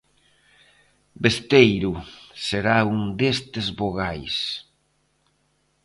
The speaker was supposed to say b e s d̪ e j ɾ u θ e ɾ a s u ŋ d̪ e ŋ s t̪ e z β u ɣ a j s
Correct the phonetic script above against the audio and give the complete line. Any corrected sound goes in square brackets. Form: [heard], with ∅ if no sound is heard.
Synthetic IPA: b e s [t̪] e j ɾ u [s] e ɾ a [∅] u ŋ d̪ e [∅] s t̪ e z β [o] ɣ a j s